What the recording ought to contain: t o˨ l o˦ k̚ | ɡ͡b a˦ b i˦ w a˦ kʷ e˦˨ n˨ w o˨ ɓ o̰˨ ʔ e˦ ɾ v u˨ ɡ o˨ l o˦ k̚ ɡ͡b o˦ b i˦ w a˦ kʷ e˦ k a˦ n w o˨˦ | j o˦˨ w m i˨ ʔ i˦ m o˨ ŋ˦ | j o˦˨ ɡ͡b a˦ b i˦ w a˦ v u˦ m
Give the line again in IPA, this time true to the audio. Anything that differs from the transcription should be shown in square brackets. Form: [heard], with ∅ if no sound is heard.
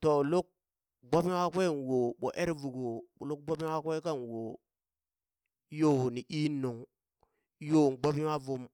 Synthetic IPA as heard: t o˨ l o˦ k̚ | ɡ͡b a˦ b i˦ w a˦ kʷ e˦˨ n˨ w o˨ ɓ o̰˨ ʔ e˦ ɾ v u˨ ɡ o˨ l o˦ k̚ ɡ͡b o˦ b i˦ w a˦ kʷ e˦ k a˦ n w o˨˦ | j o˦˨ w [n] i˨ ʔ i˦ [n] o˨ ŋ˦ | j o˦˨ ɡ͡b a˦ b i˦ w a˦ v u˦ m